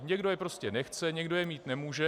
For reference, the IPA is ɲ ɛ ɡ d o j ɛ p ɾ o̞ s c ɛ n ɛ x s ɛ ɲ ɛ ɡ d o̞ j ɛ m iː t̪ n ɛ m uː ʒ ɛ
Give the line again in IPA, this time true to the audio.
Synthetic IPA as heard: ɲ ɛ ɡ d o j ɛ p ɾ o̞ s c ɛ n ɛ x t͡s ɛ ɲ ɛ ɡ d o̞ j ɛ m iː t̪ n ɛ m uː ʒ ɛ